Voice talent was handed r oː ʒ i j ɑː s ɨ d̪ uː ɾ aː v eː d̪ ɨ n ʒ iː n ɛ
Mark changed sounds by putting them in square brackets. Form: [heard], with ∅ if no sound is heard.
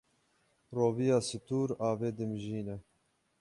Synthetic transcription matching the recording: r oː [v] i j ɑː s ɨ [t̪] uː ɾ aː v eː d̪ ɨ [m] ʒ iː n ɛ